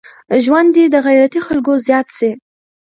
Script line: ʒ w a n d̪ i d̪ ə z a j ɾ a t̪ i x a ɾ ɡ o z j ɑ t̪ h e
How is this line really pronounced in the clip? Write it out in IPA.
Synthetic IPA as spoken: ʒ w a n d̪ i d̪ ə ɣ a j ɾ a t̪ i x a l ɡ o z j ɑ t̪ s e